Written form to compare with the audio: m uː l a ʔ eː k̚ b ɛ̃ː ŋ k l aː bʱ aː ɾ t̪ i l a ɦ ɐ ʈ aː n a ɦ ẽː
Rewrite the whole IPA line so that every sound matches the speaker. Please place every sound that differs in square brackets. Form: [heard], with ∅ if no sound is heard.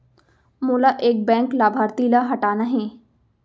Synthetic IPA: m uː l a ʔ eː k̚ b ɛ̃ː ŋ k l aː bʱ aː ɾ t̪ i l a ɦ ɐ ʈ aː n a ɦ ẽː